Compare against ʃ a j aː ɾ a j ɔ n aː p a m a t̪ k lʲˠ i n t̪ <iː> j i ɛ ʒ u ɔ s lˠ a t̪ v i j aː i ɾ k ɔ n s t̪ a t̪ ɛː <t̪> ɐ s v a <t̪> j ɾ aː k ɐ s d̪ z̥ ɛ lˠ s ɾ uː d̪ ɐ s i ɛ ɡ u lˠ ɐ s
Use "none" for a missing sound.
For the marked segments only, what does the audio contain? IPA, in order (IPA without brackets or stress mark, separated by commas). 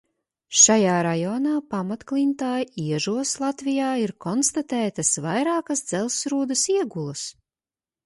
aː, t̪, none